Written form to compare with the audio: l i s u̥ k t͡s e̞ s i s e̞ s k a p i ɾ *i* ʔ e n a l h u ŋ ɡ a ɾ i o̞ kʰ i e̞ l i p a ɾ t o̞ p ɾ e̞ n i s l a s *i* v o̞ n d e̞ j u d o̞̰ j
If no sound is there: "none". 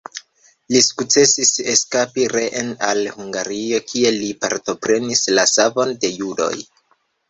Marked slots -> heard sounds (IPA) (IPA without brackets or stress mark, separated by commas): e, a